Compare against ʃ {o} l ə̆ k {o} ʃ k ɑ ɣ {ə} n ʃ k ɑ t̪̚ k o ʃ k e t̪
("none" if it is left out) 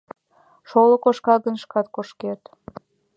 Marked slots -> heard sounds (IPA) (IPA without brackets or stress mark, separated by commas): o, o, ə